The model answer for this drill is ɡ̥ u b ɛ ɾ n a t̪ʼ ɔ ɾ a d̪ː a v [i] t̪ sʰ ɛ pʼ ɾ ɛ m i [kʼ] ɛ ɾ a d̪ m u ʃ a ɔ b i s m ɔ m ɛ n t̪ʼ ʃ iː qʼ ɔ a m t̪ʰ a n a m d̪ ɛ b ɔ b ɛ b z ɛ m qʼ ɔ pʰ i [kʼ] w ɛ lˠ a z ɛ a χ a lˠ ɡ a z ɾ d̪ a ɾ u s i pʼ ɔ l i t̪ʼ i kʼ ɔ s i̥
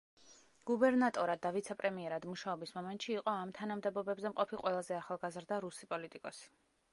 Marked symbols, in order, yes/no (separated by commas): yes, no, no